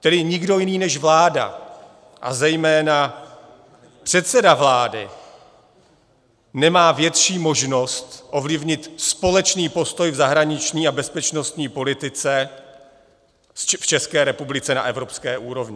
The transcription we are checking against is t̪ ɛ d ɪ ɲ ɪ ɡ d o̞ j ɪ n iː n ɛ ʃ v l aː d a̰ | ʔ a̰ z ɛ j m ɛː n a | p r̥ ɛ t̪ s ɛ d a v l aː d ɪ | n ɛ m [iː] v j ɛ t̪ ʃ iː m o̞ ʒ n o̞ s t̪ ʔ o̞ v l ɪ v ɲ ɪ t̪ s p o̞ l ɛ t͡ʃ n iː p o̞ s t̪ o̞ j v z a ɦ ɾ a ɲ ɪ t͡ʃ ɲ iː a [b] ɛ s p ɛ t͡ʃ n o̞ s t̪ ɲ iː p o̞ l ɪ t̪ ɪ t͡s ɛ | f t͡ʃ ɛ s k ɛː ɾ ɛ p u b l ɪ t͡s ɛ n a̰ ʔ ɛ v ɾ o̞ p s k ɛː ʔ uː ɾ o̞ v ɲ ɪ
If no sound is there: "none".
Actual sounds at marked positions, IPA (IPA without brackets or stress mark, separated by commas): aː, b